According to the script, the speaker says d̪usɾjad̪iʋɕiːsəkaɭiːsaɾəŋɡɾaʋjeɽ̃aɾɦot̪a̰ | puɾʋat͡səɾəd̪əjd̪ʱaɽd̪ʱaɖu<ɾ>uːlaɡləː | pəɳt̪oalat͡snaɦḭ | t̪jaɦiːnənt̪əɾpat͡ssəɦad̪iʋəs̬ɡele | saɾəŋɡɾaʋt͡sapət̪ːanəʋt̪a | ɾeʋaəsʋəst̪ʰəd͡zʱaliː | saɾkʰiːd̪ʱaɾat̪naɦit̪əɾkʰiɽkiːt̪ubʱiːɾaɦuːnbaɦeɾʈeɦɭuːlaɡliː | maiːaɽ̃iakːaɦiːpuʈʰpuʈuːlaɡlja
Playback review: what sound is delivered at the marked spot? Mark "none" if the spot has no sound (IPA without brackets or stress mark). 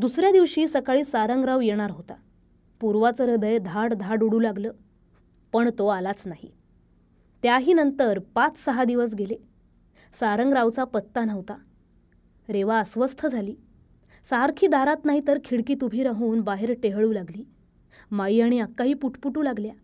ɽ